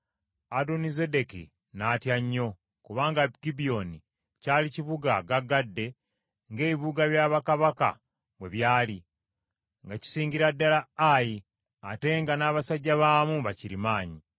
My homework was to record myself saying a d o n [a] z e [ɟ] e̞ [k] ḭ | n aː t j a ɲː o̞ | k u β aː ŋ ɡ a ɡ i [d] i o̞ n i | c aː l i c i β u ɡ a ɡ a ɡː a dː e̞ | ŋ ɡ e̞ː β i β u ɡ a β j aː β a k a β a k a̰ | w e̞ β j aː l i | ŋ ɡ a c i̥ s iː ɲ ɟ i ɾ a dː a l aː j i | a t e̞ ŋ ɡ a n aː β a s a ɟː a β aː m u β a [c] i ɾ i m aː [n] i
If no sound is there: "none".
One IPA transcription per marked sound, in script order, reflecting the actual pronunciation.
i, d, k, b, c, ɲ

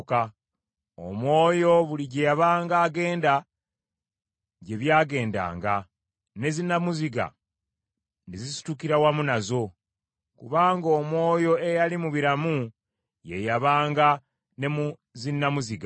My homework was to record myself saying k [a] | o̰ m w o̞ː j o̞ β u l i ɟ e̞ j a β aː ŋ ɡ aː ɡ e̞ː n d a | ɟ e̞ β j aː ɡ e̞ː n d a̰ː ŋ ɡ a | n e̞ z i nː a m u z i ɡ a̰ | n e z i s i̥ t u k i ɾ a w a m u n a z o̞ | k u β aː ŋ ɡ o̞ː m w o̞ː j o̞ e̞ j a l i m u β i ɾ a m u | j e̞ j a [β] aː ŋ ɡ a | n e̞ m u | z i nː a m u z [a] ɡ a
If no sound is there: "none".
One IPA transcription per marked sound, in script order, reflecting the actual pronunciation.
a, β, i

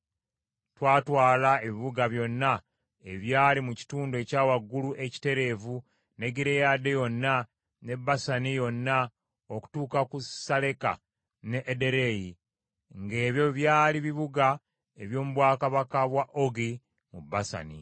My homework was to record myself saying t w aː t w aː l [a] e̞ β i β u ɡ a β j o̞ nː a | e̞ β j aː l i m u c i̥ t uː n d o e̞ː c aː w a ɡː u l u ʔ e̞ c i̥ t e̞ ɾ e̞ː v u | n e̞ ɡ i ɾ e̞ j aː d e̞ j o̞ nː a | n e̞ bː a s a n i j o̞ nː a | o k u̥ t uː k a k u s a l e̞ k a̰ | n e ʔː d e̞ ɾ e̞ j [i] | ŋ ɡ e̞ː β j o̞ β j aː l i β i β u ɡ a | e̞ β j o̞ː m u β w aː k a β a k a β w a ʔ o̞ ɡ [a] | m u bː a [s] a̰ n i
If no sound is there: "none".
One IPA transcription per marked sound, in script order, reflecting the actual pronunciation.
a, i, i, s

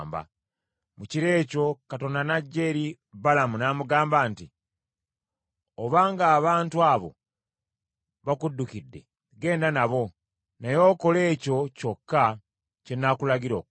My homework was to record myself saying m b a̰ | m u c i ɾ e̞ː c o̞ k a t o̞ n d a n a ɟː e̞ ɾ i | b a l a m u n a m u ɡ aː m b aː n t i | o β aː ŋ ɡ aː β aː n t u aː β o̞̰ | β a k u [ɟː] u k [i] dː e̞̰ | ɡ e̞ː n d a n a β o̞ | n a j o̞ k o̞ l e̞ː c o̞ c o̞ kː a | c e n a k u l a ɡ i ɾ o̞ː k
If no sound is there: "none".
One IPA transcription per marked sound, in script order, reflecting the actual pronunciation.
dː, i

